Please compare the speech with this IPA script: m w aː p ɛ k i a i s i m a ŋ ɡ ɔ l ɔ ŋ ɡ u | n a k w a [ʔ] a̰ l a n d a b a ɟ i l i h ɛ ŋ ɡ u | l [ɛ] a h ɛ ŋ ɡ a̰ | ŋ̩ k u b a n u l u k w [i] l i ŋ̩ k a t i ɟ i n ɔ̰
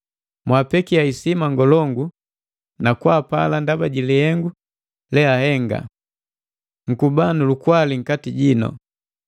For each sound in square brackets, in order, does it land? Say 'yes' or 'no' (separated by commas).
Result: no, yes, no